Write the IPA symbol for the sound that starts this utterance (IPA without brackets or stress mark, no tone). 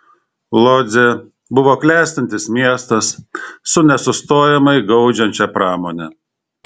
lˠ